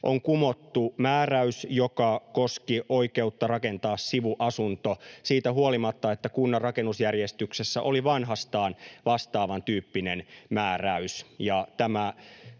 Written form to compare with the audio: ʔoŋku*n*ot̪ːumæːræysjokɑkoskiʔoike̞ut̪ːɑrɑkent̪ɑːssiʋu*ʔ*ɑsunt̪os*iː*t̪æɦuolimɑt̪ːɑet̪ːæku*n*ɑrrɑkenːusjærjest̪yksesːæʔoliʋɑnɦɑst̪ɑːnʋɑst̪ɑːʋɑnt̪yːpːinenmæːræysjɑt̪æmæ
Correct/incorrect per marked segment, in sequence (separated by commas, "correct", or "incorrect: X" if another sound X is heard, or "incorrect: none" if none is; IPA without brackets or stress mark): incorrect: m, correct, correct, incorrect: nː